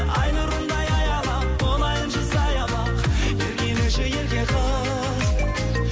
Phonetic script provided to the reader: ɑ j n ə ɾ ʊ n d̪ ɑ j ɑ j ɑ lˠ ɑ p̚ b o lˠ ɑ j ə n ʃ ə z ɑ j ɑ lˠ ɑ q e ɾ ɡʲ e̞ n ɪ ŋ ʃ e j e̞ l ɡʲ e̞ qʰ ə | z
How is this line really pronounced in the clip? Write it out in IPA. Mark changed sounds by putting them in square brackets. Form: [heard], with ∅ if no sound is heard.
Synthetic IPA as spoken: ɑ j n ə ɾ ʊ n d̪ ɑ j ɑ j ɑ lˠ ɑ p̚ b o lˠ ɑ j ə n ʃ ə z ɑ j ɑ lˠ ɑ q e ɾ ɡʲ e̞ n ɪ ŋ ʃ e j e̞ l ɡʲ e̞ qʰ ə | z